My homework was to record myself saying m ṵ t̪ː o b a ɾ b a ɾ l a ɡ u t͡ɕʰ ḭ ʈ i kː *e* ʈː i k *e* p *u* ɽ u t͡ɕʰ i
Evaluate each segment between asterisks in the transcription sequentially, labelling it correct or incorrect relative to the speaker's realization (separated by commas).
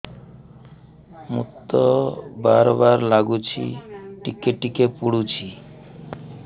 correct, correct, correct